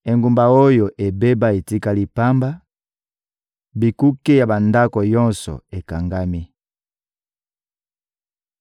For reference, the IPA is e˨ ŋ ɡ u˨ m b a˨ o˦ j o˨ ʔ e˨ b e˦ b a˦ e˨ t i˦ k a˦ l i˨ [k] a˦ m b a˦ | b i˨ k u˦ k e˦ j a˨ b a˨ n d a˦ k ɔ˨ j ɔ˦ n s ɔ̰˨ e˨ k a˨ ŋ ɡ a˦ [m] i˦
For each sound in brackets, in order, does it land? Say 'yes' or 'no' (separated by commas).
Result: no, yes